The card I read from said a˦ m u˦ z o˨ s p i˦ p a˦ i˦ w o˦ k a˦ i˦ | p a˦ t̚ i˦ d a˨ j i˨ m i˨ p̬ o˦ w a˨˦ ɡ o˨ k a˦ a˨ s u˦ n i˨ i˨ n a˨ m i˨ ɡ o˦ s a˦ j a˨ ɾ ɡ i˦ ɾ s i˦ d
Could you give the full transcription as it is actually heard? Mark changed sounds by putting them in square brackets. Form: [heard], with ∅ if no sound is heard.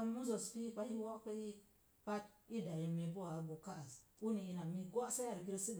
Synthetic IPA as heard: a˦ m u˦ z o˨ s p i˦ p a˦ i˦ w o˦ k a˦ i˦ | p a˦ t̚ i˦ d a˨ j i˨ m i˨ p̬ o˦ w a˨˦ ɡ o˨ k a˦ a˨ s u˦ n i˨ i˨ n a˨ m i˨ ɡ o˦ s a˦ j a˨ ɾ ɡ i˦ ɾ s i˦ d